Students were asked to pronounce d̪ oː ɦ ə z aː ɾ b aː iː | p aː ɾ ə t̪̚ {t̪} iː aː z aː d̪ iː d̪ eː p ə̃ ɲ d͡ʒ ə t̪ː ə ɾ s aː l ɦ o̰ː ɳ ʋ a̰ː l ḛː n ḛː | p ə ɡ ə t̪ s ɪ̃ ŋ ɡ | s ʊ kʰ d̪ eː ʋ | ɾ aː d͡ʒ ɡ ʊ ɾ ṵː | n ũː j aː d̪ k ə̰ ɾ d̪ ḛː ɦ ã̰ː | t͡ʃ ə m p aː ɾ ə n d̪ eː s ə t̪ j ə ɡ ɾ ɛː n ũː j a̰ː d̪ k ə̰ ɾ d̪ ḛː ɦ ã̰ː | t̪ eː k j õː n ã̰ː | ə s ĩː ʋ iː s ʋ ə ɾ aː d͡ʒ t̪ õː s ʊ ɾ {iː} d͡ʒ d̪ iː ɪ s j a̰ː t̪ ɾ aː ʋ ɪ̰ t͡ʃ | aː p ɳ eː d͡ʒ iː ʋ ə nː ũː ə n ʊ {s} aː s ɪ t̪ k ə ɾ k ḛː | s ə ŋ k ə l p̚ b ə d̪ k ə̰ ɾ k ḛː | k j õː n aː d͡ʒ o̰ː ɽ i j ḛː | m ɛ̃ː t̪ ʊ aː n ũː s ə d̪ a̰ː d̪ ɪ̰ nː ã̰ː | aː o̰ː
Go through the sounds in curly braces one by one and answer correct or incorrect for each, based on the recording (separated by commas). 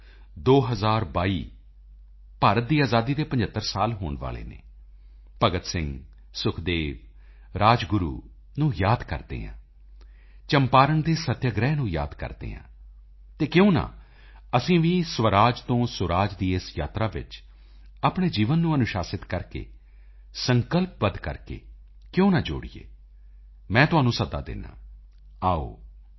incorrect, incorrect, incorrect